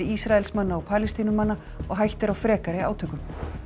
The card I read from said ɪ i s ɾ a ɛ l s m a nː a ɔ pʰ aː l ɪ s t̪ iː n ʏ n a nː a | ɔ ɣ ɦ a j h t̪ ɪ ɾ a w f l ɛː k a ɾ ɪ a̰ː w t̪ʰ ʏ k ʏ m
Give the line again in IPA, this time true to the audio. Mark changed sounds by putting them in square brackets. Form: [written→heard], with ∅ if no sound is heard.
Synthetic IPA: ɪ i s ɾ a ɛ l s m a nː a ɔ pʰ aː l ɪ s t̪ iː n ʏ [n→m] a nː a | ɔ ɣ ɦ a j h t̪ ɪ ɾ a w f [l→ɾ] ɛː k a ɾ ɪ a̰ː w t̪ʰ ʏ k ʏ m